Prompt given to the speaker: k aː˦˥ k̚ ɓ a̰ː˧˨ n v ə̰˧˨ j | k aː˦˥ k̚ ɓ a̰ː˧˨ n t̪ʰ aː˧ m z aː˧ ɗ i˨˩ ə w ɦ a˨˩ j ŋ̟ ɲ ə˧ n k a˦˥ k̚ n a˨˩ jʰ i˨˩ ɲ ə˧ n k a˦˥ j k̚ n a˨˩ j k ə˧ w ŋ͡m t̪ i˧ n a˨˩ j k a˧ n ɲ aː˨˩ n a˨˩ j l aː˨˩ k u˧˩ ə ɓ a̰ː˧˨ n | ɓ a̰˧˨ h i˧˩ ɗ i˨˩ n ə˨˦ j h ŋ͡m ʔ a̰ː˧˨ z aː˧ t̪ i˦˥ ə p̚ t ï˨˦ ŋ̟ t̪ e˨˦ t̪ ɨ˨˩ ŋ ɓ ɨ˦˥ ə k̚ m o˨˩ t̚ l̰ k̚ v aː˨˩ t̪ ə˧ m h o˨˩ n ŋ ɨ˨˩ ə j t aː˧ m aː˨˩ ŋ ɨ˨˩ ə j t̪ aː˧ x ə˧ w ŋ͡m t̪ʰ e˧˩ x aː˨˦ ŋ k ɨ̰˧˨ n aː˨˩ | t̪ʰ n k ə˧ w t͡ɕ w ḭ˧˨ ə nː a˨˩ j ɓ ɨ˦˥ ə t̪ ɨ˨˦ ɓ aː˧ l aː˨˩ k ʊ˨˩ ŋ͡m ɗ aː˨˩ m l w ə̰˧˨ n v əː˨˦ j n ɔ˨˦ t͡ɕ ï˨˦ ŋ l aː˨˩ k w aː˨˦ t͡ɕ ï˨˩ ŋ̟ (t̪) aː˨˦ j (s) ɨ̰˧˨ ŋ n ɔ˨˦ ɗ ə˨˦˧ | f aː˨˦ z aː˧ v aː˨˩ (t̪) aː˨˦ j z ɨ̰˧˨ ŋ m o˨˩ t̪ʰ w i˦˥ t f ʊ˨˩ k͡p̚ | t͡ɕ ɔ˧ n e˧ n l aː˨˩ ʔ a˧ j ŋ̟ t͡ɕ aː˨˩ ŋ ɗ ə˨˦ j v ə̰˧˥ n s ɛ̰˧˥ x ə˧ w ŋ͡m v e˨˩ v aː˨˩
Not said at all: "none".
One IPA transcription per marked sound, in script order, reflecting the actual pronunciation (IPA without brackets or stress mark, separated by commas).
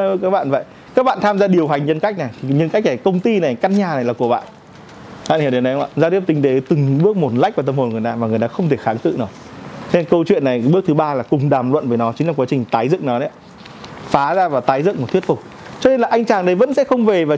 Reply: t̪, z, t̪